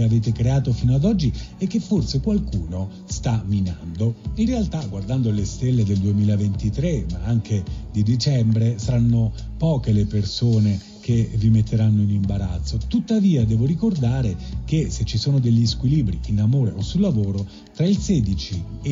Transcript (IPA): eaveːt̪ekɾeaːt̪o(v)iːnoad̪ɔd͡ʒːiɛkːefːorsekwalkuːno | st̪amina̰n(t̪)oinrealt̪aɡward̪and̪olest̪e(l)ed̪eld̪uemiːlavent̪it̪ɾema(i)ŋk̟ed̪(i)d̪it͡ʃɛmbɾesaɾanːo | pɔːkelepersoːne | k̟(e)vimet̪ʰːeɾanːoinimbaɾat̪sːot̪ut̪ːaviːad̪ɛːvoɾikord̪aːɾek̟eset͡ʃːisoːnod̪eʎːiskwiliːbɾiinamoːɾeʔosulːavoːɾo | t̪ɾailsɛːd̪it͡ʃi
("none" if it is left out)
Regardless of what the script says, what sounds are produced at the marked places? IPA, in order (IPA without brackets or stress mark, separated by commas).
f, d̪, lː, a, i, e